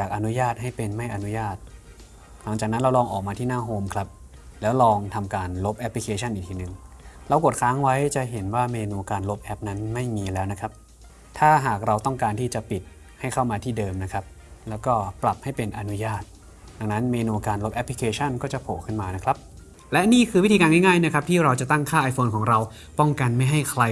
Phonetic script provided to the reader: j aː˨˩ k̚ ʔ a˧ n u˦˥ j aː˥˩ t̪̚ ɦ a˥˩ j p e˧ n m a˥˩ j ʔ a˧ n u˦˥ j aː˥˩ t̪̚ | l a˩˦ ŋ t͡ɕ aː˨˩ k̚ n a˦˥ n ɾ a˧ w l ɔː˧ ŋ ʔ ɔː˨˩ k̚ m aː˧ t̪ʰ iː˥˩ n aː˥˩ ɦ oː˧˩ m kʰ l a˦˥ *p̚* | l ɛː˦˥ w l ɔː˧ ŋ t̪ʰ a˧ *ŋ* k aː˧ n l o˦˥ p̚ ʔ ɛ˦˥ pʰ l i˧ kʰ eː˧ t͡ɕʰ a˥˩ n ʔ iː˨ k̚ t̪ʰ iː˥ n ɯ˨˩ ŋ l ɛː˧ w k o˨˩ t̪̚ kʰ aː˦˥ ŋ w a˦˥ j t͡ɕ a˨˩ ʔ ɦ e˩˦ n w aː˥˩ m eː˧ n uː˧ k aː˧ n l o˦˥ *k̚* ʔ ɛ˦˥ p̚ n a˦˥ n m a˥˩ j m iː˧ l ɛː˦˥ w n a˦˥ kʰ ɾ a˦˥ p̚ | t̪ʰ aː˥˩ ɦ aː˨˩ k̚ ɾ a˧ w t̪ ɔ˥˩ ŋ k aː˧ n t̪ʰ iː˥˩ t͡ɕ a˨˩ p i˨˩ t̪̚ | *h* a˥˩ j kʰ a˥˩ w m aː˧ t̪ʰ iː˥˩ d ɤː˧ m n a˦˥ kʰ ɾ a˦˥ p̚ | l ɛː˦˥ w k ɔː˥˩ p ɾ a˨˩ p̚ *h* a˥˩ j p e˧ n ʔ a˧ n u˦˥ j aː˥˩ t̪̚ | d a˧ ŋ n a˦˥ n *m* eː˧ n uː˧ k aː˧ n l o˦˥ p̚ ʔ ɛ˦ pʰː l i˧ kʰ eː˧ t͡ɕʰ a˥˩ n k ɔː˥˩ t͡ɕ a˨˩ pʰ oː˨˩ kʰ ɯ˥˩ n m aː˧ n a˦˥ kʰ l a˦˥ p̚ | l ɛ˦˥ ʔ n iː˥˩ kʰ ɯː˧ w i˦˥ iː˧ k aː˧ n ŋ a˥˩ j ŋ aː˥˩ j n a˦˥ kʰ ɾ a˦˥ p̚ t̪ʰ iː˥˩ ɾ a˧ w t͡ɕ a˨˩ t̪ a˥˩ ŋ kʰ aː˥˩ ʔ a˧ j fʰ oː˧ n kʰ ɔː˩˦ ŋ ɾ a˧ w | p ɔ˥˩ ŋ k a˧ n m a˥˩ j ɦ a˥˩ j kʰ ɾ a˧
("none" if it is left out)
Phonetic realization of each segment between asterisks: p̚, m, p̚, h, h, m

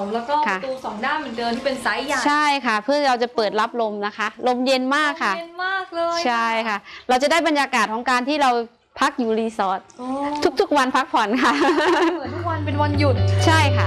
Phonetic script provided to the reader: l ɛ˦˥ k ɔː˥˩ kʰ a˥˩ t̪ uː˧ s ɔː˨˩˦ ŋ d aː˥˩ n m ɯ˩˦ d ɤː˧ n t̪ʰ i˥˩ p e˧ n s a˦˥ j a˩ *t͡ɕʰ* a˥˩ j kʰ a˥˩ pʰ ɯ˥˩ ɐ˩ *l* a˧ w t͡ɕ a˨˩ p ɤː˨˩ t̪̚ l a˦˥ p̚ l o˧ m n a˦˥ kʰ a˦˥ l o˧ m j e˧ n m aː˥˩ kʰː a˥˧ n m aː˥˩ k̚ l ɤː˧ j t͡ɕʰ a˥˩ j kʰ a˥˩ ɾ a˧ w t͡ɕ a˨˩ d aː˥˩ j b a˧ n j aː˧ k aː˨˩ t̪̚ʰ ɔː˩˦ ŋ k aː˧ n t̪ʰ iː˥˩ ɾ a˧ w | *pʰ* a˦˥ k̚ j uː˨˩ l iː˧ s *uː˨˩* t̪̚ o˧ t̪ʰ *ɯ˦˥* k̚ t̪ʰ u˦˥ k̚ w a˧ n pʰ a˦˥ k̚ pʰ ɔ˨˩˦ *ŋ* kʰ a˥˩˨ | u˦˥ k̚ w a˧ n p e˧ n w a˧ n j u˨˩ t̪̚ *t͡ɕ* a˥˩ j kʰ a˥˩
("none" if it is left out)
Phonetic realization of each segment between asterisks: t͡ɕʰ, ɾ, pʰ, ɔː˨˩, u˦˥, n, t͡ɕʰ

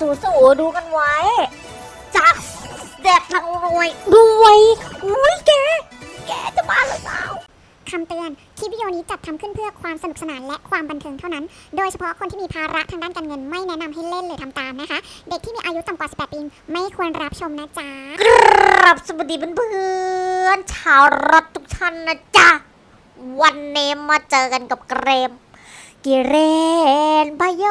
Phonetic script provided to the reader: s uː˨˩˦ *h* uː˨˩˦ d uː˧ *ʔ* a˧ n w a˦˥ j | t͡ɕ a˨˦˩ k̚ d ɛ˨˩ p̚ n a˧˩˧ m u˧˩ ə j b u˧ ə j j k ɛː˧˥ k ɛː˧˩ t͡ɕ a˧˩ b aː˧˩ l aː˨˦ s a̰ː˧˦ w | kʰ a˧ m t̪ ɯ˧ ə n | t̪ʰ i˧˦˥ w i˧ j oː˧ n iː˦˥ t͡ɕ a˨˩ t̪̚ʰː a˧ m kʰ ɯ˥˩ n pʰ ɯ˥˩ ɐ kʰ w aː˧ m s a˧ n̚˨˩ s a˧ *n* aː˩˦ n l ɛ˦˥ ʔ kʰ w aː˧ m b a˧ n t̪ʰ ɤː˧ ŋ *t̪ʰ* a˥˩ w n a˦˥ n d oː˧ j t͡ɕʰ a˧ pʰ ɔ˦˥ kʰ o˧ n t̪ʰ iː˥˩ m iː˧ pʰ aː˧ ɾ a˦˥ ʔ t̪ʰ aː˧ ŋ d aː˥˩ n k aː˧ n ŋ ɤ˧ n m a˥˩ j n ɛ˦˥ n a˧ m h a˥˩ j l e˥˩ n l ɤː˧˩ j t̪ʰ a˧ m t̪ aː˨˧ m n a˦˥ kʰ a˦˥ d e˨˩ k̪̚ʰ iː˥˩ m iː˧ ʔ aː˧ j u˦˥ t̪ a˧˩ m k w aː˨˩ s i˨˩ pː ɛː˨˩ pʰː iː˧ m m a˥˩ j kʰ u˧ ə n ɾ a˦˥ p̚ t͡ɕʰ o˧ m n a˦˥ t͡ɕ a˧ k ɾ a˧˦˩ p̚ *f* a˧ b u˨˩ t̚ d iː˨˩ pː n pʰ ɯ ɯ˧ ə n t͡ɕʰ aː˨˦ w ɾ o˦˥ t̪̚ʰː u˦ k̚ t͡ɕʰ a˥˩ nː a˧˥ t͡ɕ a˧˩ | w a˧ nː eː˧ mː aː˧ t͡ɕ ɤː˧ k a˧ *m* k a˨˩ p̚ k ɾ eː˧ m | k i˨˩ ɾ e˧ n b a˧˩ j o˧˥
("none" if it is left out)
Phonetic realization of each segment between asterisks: s, k, n, t̪ʰ, s, n

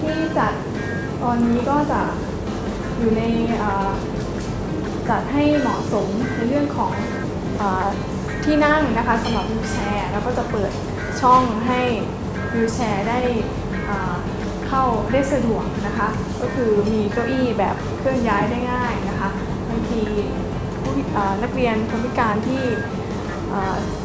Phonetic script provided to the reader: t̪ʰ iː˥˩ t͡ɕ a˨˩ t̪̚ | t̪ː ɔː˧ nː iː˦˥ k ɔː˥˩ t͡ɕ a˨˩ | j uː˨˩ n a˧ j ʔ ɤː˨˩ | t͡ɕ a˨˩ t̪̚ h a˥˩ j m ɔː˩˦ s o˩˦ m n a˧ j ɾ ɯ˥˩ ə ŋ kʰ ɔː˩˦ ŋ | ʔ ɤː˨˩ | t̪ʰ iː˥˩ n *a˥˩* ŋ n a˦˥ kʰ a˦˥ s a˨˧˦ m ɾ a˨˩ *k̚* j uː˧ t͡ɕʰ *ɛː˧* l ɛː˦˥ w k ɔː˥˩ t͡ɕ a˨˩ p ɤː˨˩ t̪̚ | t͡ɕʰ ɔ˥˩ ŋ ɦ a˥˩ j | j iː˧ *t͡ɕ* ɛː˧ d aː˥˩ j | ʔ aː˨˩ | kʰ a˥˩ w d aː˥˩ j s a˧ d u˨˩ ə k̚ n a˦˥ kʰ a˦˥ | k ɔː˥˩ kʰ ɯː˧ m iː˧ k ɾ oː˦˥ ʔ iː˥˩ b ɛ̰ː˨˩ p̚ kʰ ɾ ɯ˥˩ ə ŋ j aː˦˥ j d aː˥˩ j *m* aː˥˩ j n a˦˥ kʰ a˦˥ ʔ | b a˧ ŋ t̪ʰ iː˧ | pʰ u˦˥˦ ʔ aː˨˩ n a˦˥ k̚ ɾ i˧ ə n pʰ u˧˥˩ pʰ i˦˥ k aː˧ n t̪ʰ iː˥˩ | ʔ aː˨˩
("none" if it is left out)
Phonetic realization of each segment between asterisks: a˥˩, p̚, ɛː˧, t͡ɕʰ, ŋ

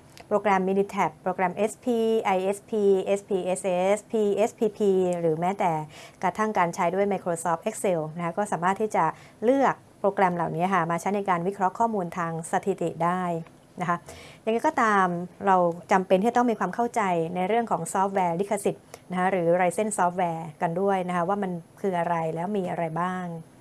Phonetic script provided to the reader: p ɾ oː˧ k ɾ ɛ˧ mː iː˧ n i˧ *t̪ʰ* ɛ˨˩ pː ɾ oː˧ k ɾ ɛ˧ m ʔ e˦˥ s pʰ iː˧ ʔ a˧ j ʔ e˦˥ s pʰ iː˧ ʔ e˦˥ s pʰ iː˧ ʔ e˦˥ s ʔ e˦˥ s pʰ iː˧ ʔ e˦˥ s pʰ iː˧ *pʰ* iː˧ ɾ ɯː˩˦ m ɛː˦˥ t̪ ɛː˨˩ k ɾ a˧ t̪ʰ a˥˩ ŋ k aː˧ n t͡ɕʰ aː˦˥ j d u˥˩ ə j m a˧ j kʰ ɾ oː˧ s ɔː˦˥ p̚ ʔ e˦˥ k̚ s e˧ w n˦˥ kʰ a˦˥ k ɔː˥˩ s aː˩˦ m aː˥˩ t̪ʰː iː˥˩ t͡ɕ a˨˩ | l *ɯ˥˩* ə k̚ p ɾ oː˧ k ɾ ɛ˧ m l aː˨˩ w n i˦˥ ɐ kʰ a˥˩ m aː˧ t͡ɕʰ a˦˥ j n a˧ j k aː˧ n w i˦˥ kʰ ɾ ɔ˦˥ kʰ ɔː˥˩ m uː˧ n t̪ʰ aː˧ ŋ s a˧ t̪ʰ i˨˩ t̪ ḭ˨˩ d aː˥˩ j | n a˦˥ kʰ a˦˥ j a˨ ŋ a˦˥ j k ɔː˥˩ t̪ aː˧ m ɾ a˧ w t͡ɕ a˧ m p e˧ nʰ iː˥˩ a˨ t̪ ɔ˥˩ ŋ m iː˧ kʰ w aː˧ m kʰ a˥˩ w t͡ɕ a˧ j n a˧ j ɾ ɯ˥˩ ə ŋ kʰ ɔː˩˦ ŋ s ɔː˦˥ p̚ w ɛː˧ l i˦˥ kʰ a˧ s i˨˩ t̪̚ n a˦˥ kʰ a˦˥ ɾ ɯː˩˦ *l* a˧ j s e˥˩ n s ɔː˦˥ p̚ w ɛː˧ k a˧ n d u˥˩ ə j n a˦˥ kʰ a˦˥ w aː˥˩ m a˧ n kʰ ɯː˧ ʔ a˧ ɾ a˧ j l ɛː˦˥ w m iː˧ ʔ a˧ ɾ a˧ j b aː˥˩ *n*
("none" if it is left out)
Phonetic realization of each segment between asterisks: t̪ʰ, pʰ, ɯ˥˩, ɾ, ŋ

